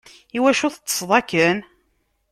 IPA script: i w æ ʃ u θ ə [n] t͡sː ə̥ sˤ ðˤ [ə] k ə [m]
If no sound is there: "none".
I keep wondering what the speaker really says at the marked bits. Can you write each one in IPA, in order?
none, ɑ, n

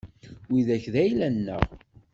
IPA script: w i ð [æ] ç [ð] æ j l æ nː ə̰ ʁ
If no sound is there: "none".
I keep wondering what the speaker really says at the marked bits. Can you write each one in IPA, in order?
æ, ð

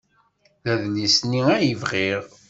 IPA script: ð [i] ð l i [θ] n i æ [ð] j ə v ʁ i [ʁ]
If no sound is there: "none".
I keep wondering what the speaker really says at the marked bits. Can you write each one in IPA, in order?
æ, s, none, ʁ

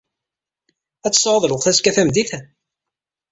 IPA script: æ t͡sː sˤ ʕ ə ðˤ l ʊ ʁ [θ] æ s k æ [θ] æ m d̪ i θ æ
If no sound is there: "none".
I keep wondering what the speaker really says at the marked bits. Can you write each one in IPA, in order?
θ, θ

